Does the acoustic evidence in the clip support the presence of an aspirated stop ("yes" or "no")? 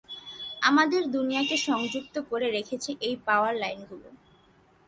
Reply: yes